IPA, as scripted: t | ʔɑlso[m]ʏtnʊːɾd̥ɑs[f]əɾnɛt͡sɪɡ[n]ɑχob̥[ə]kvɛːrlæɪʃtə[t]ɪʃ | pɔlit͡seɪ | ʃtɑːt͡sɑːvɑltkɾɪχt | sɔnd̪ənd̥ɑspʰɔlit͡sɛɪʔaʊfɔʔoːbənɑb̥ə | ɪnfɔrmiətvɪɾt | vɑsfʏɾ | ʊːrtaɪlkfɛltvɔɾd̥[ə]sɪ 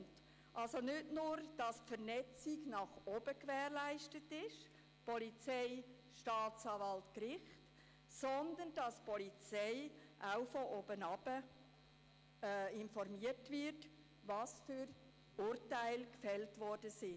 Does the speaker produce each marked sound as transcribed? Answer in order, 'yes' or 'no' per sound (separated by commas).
no, yes, yes, yes, yes, yes